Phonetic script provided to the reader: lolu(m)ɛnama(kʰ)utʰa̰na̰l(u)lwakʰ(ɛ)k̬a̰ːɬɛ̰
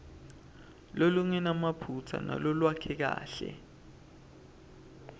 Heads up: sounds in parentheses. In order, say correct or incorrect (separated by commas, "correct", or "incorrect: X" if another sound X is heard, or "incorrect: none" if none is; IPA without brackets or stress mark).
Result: incorrect: ŋ, incorrect: pʰ, incorrect: ɔ, correct